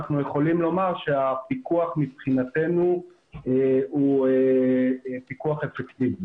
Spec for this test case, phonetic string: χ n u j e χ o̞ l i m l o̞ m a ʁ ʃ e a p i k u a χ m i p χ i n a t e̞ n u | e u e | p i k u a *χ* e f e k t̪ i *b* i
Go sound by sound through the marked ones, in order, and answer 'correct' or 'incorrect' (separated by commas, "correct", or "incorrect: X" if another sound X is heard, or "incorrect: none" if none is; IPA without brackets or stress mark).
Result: correct, incorrect: v